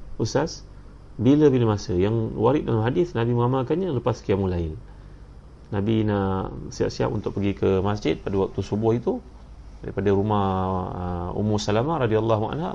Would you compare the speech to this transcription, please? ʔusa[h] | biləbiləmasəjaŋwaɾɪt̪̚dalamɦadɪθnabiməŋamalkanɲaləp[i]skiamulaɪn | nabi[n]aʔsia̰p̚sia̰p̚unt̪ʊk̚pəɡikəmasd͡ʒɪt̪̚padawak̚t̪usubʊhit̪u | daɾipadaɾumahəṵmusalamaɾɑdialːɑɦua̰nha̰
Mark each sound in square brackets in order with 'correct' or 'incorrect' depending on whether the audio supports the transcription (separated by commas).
incorrect, incorrect, correct